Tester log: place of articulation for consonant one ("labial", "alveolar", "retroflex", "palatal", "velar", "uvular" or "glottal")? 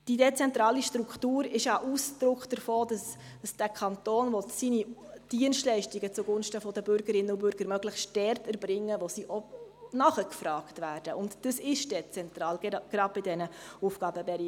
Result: alveolar